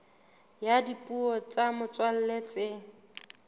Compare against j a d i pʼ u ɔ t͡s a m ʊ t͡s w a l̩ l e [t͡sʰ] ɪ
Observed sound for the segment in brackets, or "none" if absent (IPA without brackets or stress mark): t͡s